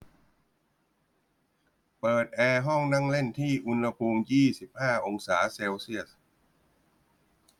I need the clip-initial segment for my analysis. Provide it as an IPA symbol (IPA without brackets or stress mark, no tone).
p